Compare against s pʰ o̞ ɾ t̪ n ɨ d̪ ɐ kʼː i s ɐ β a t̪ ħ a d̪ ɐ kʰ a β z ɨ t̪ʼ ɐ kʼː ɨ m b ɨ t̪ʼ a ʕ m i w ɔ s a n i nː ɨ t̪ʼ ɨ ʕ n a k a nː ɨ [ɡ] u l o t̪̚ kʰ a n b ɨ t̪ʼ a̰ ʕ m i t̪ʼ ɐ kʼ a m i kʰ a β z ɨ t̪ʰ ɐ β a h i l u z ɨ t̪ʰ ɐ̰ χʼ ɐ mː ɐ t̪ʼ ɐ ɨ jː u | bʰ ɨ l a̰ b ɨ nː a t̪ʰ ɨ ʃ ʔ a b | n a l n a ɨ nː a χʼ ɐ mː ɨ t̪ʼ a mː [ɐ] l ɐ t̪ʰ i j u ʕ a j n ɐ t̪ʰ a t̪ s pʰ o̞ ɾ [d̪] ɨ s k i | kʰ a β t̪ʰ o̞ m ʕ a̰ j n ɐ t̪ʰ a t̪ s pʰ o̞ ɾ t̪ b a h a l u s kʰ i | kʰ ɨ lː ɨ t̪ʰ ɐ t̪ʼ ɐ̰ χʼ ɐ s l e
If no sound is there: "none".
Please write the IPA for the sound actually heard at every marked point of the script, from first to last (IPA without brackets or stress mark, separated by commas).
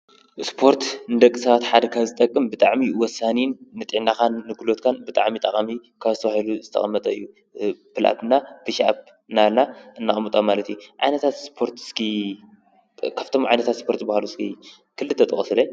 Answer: ɡ, a, t̪